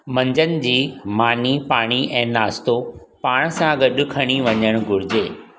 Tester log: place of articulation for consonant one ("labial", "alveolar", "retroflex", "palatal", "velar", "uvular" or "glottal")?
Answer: labial